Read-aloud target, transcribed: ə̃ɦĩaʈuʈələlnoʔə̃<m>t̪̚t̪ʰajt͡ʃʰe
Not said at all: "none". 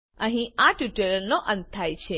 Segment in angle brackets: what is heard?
n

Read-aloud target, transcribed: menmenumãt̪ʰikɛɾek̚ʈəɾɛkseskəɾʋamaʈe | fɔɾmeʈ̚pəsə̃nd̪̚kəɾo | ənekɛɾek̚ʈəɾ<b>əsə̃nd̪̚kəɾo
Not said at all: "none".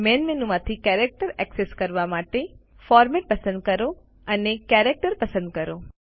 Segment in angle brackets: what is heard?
p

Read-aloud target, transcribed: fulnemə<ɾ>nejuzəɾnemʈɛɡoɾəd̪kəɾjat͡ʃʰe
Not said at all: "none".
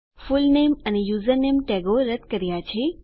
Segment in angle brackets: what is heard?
none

